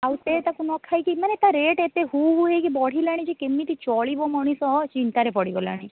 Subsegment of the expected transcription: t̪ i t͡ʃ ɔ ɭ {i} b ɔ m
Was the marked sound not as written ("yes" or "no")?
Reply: no